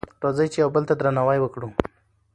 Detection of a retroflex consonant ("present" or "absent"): present